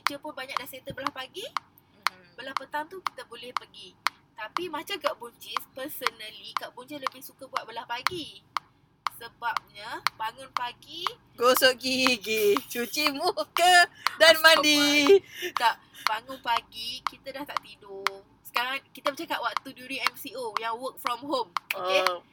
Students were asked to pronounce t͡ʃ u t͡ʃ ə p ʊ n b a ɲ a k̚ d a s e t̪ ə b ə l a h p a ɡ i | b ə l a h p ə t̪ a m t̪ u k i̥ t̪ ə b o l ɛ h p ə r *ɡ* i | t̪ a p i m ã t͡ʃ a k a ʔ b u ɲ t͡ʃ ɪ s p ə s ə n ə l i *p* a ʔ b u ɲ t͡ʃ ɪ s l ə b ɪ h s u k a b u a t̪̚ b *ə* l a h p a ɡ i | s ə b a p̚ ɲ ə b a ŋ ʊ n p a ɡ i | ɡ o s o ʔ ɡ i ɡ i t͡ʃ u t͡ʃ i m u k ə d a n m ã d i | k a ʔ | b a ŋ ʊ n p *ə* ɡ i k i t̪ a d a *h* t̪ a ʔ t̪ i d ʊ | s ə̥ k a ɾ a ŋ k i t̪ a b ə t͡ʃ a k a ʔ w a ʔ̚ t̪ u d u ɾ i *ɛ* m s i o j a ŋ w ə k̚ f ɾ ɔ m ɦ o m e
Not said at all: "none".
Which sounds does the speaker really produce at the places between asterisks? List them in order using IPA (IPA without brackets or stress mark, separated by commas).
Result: ɡ, k, ə, a, h, ɛ